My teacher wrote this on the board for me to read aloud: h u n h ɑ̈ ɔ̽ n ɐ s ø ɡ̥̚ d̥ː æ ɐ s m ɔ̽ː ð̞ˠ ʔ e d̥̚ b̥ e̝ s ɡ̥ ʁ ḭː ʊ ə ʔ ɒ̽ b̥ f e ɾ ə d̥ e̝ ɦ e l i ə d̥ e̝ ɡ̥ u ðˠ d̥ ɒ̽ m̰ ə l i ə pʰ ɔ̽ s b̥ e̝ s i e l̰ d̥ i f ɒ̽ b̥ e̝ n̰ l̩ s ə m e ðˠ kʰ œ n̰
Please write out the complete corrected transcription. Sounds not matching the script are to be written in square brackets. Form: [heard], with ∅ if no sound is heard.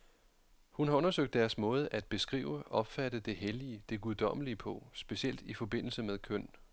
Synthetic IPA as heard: h u n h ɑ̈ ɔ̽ n ɐ s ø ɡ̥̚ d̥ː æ ɐ s m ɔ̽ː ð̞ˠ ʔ [æ] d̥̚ b̥ e̝ s ɡ̥ ʁ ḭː ʊ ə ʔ ɒ̽ b̥ f [æ] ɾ ə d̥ e̝ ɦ e l i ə d̥ e̝ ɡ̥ u ðˠ d̥ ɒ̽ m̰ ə l i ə pʰ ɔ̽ s b̥ e̝ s i e l̰ d̥ i f ɒ̽ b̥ e̝ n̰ l̩ s ə m e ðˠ kʰ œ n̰